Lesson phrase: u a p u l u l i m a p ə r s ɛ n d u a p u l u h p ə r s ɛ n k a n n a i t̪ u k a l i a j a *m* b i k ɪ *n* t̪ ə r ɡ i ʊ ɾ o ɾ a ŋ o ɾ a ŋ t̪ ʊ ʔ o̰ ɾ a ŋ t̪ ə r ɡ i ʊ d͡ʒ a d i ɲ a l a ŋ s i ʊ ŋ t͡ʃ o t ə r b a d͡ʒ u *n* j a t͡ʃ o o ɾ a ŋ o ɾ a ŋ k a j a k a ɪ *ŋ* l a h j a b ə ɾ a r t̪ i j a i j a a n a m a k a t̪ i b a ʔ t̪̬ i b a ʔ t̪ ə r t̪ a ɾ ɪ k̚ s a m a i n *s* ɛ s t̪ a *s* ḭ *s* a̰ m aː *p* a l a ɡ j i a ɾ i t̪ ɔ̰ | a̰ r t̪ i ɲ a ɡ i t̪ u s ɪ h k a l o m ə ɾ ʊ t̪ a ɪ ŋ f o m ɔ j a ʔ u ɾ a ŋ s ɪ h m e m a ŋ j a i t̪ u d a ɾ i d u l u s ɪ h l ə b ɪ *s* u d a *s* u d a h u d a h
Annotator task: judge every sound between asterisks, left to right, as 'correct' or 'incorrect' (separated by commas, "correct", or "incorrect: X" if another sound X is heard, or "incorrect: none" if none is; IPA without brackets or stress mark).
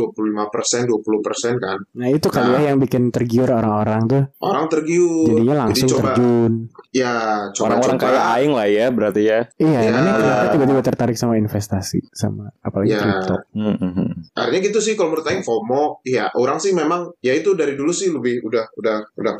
incorrect: ŋ, correct, correct, correct, incorrect: f, correct, correct, correct, incorrect: h, incorrect: h